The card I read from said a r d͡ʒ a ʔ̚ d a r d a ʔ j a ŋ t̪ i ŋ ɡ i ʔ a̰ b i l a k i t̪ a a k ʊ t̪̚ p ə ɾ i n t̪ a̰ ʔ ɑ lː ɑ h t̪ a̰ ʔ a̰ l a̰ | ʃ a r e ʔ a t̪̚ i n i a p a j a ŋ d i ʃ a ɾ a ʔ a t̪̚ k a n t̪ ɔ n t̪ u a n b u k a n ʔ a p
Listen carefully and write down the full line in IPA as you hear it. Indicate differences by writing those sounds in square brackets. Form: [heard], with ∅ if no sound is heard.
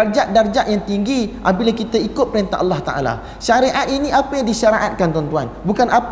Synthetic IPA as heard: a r d͡ʒ a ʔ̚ d a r [d͡ʒ] a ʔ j a ŋ t̪ i ŋ ɡ i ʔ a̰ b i l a k i t̪ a [i] k ʊ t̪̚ p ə ɾ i n t̪ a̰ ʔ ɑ lː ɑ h t̪ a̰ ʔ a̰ l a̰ | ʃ a [ɾ] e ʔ a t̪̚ i n i a p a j a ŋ d i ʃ a ɾ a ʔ a t̪̚ k a n t̪ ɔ n t̪ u a n b u k a n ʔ a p